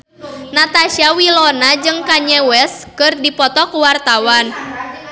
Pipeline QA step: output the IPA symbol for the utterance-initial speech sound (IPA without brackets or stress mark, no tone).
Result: n